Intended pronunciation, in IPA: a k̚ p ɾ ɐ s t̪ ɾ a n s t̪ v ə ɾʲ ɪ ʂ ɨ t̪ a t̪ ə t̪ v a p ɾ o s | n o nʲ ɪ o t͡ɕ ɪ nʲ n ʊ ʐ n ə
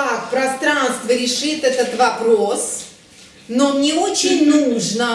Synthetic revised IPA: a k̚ p ɾ ɐ s t̪ ɾ a n s t̪ v ə ɾʲ ɪ ʂ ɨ t̪ ɛ t̪ ə t̪ v ɐ p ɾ o s | n o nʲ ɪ o t͡ɕ ɪ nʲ n u ʐ n ə

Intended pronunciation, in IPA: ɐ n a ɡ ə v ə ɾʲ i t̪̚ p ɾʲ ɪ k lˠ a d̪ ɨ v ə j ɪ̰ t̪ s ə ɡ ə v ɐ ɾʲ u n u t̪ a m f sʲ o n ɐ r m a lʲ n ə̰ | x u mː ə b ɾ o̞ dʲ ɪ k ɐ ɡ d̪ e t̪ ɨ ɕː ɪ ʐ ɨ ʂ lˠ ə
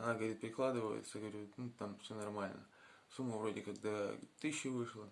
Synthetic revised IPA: ɐ n a ɡ ə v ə ɾʲ i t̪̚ p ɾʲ ɪ k lˠ a d̪ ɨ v ə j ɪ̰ t̪ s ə ɡ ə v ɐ ɾʲ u n u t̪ a m f sʲ o n ɐ r m a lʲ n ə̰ | s u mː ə v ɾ o̞ dʲ ɪ k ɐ ɡ d̪ a t̪ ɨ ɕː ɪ v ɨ ʂ lˠ ə

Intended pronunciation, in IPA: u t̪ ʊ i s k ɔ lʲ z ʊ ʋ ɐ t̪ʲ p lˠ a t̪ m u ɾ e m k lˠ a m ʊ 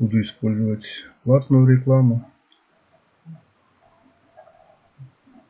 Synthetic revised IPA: u d̪ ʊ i s p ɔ lʲ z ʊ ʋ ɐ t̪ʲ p lˠ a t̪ n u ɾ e k lˠ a m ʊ

